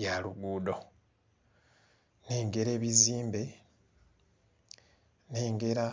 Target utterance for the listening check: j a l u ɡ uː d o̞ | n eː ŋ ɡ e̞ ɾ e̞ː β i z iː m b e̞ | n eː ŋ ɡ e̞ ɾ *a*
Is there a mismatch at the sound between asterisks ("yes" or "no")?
no